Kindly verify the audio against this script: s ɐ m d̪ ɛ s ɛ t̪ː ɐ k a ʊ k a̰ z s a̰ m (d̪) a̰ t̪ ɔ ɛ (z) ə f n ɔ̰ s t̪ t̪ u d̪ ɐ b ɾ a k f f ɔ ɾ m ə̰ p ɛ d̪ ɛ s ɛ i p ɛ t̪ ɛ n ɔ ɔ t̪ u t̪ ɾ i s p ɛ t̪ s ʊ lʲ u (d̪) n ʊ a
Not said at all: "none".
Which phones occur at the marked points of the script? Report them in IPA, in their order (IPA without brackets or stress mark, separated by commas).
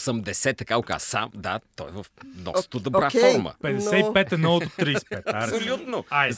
d̪, v, t̪